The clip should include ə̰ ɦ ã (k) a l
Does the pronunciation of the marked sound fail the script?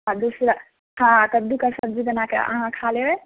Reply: yes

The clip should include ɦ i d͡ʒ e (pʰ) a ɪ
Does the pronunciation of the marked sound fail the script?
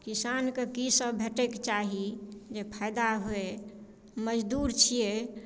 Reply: no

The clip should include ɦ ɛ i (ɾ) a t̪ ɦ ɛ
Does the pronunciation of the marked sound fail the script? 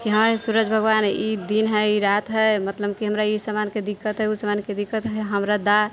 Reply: no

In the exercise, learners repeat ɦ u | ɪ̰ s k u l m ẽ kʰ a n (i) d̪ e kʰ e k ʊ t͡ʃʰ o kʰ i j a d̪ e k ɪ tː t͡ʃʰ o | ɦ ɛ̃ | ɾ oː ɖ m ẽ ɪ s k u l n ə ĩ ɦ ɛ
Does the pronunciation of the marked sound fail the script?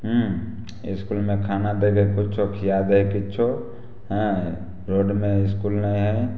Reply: yes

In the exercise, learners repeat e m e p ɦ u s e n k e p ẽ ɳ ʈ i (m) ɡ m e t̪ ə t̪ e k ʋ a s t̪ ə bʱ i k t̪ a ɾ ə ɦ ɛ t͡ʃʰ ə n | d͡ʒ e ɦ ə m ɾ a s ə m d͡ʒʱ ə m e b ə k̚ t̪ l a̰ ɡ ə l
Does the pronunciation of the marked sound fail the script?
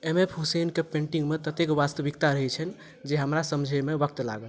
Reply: yes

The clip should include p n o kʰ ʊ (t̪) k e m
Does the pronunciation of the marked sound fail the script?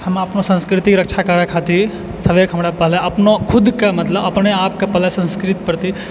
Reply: yes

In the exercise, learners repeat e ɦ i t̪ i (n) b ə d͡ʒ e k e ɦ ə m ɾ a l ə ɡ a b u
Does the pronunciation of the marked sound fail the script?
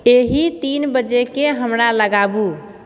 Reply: no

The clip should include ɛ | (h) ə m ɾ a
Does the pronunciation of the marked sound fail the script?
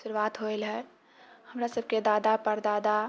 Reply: no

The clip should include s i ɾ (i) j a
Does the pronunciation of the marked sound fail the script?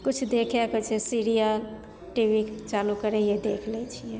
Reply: no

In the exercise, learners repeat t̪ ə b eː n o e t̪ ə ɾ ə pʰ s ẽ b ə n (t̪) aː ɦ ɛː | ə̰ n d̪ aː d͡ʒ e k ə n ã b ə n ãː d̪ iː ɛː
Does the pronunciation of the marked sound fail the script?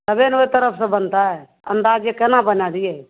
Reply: no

